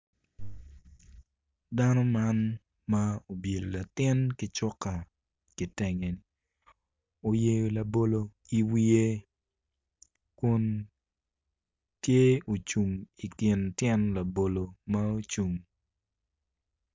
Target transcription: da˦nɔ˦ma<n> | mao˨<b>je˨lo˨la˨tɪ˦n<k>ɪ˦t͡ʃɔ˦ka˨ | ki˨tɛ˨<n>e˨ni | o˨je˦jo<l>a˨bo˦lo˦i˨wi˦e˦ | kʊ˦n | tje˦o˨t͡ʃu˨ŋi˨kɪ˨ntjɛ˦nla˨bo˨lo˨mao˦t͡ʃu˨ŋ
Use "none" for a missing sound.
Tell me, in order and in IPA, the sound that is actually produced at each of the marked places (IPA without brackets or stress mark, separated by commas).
n, b, k, ŋ, l